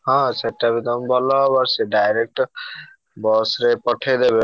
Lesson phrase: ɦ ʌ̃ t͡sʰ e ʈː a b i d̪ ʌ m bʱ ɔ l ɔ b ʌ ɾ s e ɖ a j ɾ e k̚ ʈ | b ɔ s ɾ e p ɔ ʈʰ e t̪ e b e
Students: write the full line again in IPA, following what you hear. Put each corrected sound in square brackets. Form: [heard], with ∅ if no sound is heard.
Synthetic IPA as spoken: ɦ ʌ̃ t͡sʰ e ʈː a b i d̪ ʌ m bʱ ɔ l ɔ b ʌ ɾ s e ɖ a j ɾ e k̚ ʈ | b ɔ s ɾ e p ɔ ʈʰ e [d̪] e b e